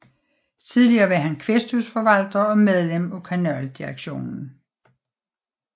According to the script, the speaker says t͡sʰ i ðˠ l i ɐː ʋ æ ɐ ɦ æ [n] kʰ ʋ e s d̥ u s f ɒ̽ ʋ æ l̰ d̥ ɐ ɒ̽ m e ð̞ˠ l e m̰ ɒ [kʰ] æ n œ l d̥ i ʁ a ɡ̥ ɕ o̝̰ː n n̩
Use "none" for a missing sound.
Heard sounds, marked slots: n, kʰ

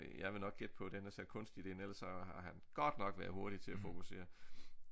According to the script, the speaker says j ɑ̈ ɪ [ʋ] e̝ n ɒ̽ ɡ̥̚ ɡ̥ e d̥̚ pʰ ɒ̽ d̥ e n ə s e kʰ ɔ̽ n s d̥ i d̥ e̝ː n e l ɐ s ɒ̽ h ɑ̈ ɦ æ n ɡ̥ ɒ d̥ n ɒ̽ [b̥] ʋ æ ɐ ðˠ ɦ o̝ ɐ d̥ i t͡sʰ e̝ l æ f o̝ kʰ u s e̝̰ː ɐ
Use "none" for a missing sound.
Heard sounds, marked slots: ʋ, ɡ̥

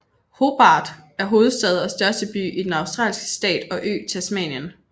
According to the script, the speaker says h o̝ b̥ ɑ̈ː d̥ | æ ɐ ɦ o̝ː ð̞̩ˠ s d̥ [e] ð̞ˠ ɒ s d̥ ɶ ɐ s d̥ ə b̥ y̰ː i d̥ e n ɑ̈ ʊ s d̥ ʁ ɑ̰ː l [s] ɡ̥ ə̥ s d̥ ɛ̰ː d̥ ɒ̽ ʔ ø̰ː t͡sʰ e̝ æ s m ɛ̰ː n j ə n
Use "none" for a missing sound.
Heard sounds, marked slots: ɛ, s

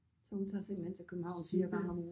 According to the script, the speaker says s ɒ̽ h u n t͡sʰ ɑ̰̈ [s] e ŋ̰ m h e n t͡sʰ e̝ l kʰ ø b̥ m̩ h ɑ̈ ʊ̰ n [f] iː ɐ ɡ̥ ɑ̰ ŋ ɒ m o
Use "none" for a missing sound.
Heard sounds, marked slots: s, f

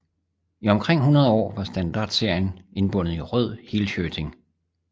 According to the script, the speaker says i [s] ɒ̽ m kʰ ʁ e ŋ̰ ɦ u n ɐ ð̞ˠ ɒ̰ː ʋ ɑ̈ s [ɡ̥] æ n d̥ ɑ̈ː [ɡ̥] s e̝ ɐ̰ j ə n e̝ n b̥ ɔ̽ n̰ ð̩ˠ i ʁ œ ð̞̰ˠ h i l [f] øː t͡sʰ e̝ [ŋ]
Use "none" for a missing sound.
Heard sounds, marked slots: none, d̥, d̥, ɕ, ŋ

